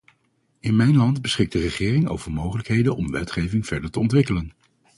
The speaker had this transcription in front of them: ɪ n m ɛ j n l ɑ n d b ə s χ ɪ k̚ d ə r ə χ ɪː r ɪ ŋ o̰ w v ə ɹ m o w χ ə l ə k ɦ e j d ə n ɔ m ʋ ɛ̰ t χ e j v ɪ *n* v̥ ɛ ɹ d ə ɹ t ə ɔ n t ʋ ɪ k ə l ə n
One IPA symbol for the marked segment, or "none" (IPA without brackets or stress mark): ŋ